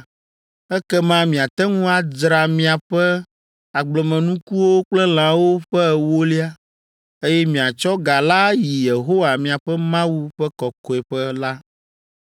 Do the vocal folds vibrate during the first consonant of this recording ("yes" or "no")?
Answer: no